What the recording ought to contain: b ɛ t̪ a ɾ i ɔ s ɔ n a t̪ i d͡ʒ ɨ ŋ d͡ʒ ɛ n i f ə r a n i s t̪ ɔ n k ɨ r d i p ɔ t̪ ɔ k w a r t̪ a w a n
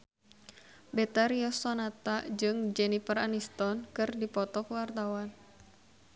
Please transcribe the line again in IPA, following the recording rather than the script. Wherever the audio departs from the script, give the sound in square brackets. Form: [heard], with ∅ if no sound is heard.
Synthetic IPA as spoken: b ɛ t̪ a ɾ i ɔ s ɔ n a t̪ [a] d͡ʒ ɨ ŋ d͡ʒ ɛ n i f ə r a n i s t̪ ɔ n k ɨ r d i p ɔ t̪ ɔ k w a r t̪ a w a n